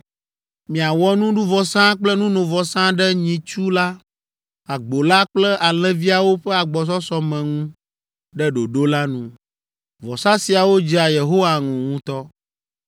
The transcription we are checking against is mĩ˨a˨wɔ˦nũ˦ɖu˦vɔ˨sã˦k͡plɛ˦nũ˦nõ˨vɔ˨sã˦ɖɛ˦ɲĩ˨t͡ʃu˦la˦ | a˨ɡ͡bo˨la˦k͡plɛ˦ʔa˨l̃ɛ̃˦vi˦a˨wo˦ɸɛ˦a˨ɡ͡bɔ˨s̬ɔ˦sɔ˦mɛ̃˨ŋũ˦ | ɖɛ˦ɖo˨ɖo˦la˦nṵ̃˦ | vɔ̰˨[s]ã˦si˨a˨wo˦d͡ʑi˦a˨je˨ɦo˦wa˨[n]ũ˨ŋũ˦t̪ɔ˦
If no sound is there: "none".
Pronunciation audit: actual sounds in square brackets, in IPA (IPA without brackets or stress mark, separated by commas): s, ŋ